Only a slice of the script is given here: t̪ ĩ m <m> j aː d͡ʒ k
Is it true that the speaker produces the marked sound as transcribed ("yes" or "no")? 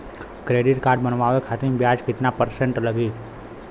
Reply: no